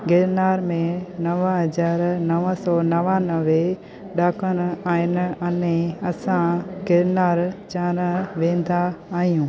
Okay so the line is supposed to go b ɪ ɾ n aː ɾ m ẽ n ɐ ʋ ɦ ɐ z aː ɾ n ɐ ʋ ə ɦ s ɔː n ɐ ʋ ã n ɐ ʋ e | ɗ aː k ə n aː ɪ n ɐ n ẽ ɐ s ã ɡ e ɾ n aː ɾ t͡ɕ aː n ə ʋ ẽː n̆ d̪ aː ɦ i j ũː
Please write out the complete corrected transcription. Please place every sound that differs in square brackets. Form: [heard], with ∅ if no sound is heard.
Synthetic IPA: [ɡ] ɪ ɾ n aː ɾ m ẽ n ɐ ʋ ɦ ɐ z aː ɾ n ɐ ʋ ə [∅] s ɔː n ɐ ʋ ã n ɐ ʋ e | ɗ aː k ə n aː ɪ n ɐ n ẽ ɐ s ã ɡ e ɾ n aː ɾ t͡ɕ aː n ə ʋ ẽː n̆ d̪ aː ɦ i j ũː

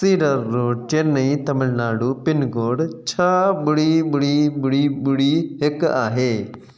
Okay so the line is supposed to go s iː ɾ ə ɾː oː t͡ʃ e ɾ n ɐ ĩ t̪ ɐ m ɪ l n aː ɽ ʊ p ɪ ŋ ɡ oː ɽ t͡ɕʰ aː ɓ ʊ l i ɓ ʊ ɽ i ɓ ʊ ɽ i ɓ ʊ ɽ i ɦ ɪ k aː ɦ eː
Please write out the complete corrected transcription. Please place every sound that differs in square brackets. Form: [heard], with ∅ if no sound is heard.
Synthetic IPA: s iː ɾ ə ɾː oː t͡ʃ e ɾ n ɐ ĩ t̪ ɐ m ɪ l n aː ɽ [u] p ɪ [n] ɡ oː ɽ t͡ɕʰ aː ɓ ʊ [ɽ] i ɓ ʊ ɽ i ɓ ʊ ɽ i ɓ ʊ ɽ i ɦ ɪ k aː ɦ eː

